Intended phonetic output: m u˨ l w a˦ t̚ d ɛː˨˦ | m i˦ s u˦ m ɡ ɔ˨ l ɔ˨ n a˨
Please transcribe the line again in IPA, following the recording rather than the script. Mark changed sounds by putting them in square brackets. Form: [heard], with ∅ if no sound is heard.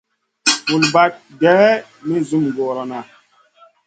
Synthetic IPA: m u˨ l [b] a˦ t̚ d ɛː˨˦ | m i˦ [z] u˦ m ɡ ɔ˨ [ɾ] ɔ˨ n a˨